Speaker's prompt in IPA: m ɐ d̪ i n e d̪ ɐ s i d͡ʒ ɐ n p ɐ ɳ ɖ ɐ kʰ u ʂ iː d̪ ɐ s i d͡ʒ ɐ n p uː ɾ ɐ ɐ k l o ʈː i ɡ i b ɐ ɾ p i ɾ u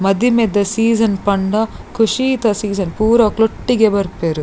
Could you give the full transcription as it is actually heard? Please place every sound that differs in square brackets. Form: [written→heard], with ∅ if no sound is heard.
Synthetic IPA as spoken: m ɐ d̪ i [n→m] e d̪ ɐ s [i→iː] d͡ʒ ɐ n p ɐ ɳ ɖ ɐ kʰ u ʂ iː [d̪→t̪] ɐ s [i→iː] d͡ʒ ɐ n p uː ɾ ɐ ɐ k l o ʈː i ɡ [i→e] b ɐ ɾ p [i→e] ɾ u

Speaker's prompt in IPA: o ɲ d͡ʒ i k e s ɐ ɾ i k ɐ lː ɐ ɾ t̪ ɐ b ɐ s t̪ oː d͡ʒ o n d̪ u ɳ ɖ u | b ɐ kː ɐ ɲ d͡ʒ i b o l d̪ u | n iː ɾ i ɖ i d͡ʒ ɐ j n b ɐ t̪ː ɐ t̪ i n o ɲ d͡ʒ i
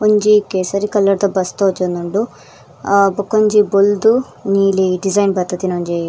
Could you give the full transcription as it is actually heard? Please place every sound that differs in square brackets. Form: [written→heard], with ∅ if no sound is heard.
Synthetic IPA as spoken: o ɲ d͡ʒ i k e s ɐ ɾ i k ɐ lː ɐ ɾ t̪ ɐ b ɐ s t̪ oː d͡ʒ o n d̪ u ɳ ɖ u | b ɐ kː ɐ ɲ d͡ʒ i b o l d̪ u | n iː [ɾ→l] i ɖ i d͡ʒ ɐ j n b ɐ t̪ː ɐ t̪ i n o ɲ d͡ʒ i

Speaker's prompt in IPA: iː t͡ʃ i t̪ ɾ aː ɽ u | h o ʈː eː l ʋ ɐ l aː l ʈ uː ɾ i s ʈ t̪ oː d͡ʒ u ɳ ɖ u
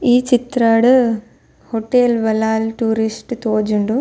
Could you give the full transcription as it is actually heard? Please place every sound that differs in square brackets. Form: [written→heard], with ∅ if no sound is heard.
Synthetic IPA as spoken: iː t͡ʃ i t̪ ɾ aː ɽ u | h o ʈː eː l ʋ ɐ l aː l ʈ uː ɾ i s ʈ t̪ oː d͡ʒ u ɳ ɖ u

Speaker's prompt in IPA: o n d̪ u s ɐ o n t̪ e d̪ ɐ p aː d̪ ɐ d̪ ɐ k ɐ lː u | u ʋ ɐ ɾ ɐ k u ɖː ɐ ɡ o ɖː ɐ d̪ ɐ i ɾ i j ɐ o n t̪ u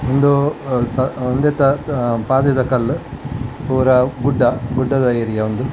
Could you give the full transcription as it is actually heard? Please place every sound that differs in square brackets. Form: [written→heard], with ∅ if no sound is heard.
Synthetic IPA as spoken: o n d̪ u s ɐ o n [t̪→d̪] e [d̪→t̪] ɐ p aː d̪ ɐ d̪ ɐ k ɐ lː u | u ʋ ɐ ɾ ɐ [k→ɡ] u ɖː ɐ ɡ [o→u] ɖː ɐ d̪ ɐ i ɾ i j ɐ o n [t̪→d̪] u

